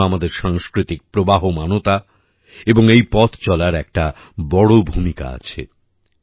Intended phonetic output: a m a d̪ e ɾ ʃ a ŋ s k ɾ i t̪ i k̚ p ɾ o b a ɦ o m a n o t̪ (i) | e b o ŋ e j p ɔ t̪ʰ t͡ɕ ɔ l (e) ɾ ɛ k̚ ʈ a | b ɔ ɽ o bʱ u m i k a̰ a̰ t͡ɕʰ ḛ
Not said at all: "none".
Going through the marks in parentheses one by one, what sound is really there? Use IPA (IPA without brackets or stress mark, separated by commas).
a, a